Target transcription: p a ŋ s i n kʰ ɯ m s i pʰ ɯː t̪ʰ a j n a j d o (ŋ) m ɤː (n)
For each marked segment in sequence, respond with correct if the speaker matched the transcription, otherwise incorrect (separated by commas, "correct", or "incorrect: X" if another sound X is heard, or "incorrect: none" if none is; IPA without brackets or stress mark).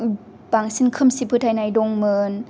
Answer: correct, correct